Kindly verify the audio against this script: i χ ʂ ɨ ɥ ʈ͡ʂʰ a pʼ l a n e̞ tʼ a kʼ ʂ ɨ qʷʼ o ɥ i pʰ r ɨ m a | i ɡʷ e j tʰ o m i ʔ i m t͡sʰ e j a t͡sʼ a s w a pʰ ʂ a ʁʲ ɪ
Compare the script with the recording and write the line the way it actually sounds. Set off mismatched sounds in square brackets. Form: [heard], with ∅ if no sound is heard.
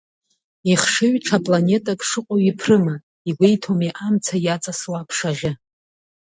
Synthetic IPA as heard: i χ ʂ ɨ ɥ ʈ͡ʂʰ a pʼ l a n e̞ tʼ a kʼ ʂ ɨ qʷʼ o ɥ i pʰ r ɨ m a | i ɡʷ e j tʰ o m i ʔ [a] m t͡sʰ [a] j a t͡sʼ a s w a pʰ ʂ a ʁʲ ɪ